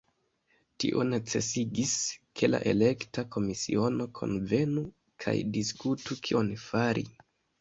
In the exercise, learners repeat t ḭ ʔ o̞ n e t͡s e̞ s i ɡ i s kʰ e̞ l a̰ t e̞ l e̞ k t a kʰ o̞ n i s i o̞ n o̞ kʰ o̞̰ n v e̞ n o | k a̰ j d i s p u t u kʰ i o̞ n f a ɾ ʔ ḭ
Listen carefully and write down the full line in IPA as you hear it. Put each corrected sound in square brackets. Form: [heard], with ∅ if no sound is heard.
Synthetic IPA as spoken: t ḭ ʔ o̞ n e t͡s e̞ s i ɡ i s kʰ e̞ l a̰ [ʔ] e̞ l e̞ k t a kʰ o̞ [m] i s i o̞ n o̞ kʰ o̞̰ n v e̞ n [u] | [kʰ] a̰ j d i s [k] u t u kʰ i o̞ n f a ɾ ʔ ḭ